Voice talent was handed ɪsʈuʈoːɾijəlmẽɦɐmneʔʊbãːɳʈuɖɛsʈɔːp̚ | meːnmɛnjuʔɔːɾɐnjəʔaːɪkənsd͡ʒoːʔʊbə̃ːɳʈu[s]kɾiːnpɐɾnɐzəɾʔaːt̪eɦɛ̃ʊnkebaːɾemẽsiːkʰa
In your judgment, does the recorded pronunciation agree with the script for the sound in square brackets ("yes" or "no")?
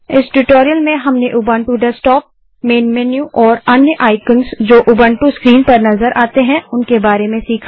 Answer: yes